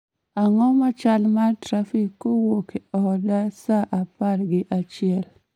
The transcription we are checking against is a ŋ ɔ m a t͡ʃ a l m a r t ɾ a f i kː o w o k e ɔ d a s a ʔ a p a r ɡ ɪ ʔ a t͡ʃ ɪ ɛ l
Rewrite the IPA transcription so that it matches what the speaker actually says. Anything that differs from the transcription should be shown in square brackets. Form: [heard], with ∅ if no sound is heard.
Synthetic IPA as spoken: a ŋ ɔ m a t͡ʃ a l m a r t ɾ a f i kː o w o k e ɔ d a s a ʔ a p a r ɡ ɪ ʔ a t͡ʃ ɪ ɛ l

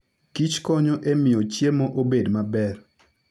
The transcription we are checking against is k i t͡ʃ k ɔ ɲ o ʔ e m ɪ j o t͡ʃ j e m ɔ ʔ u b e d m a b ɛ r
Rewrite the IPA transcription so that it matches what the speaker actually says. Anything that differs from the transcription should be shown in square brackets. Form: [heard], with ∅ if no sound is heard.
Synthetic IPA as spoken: k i t͡ʃ k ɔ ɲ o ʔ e m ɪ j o t͡ʃ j e m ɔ ʔ [o] b e d m a b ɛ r

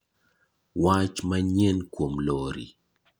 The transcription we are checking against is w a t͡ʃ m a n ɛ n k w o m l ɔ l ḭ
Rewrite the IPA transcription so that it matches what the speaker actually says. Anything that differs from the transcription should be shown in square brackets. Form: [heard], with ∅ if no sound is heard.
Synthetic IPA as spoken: w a t͡ʃ m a [ɲ] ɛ n k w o m l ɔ [ɾ] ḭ

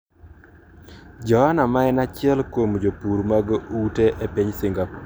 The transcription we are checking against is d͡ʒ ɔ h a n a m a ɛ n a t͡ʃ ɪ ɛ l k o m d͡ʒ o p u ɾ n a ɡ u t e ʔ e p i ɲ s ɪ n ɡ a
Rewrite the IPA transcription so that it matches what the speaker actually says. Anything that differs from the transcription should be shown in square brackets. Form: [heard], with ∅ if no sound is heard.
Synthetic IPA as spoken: d͡ʒ ɔ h a n a m a ɛ n a t͡ʃ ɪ ɛ l k o m d͡ʒ o p u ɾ [m] a ɡ u t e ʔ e p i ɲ s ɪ [ŋ] ɡ a

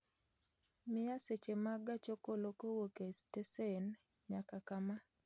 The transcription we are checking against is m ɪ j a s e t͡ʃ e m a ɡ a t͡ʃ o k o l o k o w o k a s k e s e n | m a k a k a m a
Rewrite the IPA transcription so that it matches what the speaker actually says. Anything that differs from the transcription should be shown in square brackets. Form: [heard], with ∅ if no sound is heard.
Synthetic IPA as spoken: m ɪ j a s e t͡ʃ e m a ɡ a t͡ʃ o k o l o k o w o k [e] s [t] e s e n | [ɲ] a k a k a m a

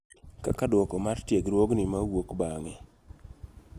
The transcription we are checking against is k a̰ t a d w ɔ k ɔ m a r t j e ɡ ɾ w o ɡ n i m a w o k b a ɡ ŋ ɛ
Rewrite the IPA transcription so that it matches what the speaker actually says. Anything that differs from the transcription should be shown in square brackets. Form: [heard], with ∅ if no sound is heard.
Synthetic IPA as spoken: k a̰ [k] a d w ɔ k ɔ m a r t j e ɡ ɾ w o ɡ n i m a w o k b a [∅] ŋ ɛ

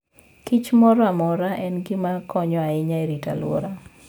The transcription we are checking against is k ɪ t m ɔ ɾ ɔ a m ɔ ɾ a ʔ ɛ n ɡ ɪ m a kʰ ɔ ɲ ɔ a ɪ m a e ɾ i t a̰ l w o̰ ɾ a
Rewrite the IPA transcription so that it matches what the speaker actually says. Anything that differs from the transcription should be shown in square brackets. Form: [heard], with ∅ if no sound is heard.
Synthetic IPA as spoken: k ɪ [t͡ʃ] m ɔ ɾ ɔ a m ɔ ɾ a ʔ ɛ n ɡ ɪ m a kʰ ɔ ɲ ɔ a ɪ [ɲ] a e ɾ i t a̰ l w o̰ ɾ a

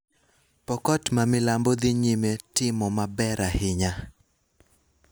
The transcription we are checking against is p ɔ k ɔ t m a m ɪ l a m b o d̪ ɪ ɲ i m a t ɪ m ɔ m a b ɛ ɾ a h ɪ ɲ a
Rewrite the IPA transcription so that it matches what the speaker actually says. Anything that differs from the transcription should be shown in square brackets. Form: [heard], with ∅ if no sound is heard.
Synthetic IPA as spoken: p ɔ k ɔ t m a m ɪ l a m b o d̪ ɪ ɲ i m [e] t ɪ m ɔ m a b ɛ ɾ a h ɪ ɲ a

